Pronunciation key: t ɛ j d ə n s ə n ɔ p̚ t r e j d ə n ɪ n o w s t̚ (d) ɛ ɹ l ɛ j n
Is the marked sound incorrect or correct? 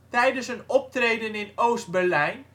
incorrect